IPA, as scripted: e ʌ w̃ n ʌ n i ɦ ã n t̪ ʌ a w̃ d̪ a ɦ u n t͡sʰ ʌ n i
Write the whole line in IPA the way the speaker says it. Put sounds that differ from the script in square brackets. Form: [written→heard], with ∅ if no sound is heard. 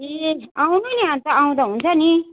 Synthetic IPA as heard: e [ʌ→a] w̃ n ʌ n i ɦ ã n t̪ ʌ a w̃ d̪ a ɦ u n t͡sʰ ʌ n i